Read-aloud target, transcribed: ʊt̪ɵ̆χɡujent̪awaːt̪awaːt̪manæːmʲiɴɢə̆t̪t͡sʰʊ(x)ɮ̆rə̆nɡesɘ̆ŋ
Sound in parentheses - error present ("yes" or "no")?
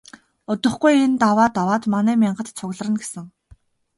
yes